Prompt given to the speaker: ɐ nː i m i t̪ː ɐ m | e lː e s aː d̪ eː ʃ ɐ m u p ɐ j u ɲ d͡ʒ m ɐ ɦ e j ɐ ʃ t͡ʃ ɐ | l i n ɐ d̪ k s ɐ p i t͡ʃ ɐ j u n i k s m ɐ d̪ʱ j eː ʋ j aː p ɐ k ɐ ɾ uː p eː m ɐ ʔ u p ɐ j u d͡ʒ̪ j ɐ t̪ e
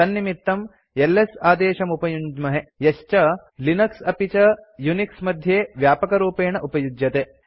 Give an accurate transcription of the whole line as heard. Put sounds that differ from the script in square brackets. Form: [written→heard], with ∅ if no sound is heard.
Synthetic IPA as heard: ɐ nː i m i t̪ː ɐ m | e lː e s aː d̪ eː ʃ ɐ m u p ɐ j u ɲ d͡ʒ m ɐ ɦ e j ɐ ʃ t͡ʃ ɐ | l i n ɐ [d̪→∅] k s ɐ p i t͡ʃ ɐ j u n i k s m ɐ d̪ʱ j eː ʋ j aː p ɐ k ɐ ɾ uː p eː [m→ɳ] ɐ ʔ u p ɐ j u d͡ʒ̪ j ɐ t̪ e